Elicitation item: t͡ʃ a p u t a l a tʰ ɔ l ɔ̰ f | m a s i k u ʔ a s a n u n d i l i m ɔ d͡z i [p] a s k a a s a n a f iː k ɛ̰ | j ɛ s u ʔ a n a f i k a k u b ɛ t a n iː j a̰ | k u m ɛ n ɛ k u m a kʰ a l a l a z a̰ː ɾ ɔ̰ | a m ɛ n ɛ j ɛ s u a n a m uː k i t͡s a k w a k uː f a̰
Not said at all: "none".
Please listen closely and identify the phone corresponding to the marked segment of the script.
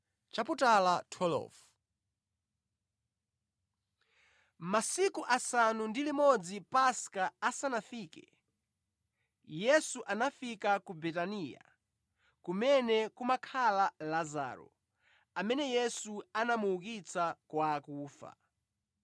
p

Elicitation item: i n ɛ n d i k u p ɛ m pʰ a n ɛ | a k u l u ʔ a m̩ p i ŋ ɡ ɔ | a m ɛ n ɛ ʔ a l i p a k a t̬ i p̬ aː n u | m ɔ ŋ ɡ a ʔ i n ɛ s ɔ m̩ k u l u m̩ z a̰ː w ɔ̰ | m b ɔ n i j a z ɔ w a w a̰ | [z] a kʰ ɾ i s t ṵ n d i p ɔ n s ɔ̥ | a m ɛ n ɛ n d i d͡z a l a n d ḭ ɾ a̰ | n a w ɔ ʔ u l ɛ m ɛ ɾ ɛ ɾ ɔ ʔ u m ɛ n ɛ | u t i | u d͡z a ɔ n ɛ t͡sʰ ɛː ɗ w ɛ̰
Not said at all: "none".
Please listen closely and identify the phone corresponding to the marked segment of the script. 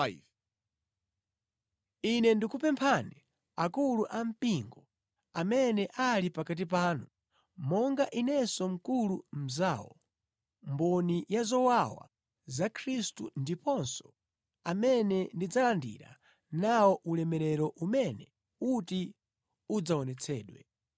z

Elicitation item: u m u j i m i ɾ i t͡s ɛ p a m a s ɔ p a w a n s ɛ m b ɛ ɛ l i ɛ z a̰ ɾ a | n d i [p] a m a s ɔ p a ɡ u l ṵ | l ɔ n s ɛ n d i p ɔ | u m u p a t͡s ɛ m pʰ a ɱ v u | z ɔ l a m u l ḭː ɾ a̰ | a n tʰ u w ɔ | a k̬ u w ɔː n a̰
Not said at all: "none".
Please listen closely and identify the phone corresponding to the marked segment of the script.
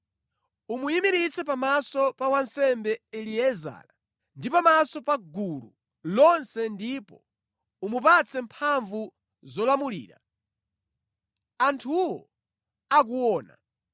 p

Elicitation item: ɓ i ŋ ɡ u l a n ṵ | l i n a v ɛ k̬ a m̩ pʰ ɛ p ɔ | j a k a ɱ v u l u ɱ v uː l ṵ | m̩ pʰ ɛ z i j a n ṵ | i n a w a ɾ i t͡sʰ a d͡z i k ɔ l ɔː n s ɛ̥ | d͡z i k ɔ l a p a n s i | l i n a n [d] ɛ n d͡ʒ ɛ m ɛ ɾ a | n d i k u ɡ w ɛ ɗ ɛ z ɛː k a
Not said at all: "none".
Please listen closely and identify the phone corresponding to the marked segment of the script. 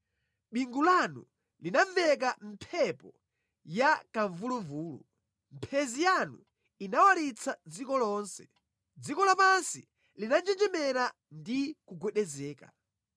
d͡ʒ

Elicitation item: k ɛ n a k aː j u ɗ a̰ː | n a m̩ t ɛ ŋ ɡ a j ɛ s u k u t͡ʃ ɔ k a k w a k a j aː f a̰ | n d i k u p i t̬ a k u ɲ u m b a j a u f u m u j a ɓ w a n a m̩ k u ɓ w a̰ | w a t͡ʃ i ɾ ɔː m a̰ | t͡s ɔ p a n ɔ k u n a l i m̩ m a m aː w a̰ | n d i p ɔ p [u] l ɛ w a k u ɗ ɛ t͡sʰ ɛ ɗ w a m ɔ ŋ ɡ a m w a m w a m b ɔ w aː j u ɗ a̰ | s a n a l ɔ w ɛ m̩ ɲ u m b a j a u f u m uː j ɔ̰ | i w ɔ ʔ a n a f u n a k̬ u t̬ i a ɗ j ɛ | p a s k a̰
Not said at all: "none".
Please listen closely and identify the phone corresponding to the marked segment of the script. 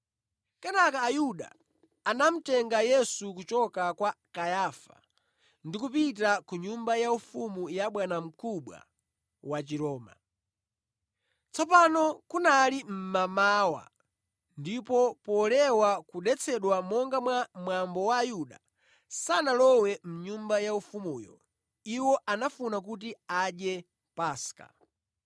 ɔ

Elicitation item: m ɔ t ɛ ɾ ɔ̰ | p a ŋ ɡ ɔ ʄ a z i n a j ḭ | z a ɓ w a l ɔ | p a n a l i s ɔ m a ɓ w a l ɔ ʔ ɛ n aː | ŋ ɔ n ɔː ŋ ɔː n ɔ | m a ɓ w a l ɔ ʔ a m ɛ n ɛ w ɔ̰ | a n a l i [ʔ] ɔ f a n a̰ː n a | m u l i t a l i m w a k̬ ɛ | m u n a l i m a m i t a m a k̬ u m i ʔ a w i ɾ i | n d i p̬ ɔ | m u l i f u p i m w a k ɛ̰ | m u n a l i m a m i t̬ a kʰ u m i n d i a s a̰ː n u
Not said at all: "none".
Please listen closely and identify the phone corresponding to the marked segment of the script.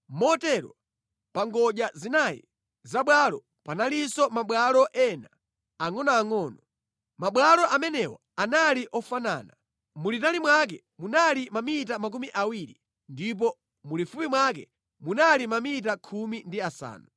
ʔ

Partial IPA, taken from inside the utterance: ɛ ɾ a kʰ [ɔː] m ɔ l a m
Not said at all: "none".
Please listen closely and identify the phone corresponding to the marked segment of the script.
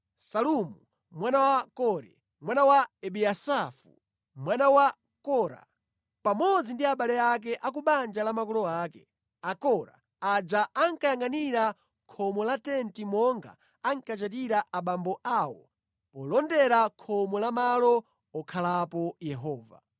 ɔ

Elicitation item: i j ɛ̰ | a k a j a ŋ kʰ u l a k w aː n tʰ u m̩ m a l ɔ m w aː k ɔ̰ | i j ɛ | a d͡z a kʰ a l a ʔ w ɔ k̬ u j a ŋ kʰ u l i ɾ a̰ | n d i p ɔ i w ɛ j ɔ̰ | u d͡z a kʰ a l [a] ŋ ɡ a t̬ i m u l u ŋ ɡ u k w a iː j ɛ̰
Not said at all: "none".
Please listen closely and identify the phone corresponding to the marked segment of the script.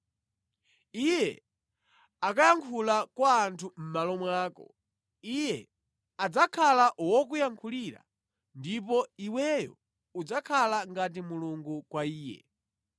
a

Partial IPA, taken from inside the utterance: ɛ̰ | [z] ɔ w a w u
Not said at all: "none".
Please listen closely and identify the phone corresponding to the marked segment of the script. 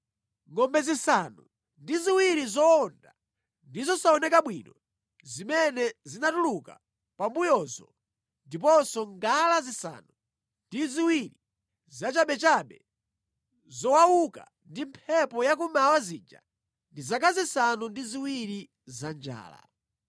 z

